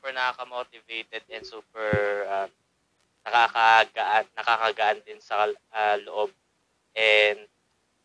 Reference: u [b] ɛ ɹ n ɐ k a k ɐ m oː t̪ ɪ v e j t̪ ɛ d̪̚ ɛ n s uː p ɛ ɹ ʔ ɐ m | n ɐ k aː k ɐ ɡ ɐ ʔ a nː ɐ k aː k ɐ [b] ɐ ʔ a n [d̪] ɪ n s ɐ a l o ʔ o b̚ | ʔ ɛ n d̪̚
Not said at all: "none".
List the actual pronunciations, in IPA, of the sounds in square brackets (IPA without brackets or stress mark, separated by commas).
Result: p, ɡ, d̪